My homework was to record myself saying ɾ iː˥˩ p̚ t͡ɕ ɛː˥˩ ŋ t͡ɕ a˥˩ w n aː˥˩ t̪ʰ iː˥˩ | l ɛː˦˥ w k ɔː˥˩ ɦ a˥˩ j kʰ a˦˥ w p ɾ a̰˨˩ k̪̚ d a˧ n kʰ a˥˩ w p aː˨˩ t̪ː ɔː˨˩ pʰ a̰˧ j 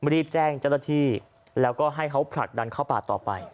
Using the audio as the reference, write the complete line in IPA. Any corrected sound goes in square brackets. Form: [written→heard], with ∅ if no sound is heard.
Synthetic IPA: ɾ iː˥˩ p̚ t͡ɕ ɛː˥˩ ŋ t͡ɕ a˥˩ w n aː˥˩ t̪ʰ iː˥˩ | l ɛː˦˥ w k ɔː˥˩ ɦ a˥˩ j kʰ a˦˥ w [p→pʰ] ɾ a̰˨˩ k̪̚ d a˧ n kʰ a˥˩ w p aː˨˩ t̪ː ɔː˨˩ [pʰ→p] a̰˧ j